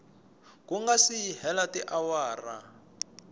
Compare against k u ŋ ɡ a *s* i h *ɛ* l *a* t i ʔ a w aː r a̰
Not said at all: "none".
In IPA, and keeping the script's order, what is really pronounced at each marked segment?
s, ɛ, a

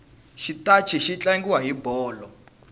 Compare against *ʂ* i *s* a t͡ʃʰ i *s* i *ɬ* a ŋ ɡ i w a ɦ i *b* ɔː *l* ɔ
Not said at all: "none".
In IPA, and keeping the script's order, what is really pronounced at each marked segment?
ʃ, t, ʃ, t͡ɬ, b, l

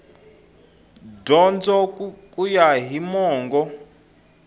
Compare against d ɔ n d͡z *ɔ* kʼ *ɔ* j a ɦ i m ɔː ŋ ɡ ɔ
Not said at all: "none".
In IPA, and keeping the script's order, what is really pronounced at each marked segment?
ɔ, u

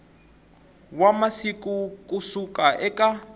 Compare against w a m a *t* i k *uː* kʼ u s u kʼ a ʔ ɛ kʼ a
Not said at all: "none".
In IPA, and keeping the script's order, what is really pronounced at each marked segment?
s, u

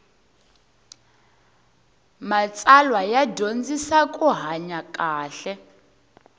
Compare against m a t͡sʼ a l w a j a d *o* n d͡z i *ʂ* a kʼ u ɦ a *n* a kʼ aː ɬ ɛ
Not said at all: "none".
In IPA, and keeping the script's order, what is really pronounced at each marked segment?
o, s, ɲ

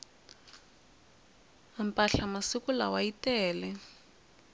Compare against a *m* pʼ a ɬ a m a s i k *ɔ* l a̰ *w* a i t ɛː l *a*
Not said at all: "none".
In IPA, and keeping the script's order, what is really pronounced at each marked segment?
m, u, w, ɛ

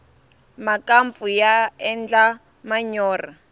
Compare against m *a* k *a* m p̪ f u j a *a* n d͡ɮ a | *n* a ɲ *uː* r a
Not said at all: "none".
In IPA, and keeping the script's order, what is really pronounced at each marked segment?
a, a, ɛ, m, ɔː

